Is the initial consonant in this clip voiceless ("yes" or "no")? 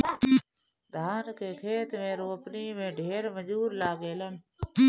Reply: no